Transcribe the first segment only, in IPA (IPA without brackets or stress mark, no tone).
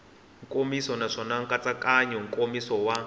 ŋ